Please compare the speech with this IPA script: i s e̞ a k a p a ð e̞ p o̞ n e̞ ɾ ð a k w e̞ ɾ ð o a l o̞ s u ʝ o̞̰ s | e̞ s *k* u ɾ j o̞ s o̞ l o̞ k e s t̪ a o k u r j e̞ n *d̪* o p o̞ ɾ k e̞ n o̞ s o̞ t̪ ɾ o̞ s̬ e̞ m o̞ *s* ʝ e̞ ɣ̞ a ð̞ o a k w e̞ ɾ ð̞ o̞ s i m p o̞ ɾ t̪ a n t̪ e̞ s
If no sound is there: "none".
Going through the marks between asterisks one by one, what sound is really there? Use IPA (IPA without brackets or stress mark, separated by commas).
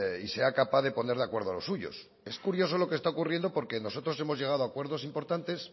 k, d̪, z